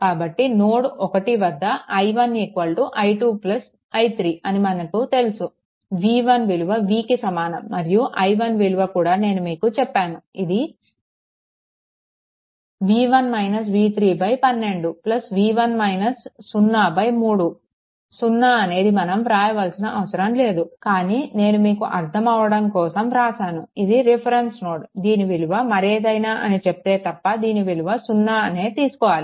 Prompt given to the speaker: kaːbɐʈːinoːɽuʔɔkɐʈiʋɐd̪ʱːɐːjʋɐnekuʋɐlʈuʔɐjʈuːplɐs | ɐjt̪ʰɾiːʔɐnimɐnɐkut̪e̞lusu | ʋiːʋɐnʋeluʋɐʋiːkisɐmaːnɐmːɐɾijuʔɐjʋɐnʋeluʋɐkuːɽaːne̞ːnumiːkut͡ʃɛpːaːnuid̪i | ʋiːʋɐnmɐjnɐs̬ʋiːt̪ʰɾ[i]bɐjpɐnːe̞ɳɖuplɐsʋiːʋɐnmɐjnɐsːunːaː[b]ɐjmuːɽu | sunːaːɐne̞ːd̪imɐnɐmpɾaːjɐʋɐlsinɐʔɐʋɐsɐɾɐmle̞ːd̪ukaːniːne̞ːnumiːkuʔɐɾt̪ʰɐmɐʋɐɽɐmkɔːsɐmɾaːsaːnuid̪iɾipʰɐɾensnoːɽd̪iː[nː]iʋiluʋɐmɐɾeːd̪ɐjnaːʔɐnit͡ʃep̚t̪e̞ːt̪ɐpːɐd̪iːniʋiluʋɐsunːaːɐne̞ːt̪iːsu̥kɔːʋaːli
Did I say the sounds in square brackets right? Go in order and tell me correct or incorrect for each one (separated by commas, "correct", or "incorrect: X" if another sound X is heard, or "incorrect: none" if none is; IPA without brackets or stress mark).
incorrect: iː, correct, incorrect: n